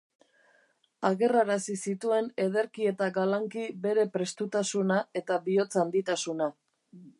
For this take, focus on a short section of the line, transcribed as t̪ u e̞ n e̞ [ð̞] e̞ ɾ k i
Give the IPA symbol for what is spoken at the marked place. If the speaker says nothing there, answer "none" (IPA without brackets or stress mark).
ð̞